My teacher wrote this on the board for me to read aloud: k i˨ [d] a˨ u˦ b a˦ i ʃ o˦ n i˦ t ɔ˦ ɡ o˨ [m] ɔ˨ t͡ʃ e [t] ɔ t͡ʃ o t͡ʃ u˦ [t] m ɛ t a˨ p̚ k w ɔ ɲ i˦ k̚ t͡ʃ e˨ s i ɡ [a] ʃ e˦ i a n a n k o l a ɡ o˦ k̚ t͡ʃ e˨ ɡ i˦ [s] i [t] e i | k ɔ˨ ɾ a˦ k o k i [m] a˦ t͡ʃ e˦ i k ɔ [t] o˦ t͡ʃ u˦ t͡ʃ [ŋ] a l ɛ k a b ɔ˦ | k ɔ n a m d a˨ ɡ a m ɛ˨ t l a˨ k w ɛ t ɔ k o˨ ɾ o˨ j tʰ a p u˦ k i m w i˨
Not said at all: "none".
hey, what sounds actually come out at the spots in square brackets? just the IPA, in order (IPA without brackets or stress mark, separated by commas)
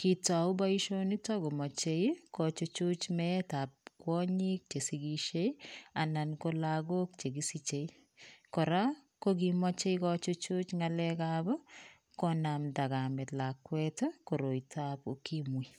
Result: t, m, k, t͡ʃ, i, s, t͡ʃ, m, t͡ʃ, ŋ